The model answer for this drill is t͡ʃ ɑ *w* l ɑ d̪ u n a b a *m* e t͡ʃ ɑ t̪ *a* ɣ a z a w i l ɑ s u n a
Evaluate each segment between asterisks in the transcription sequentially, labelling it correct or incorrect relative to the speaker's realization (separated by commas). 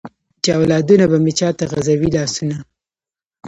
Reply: correct, correct, correct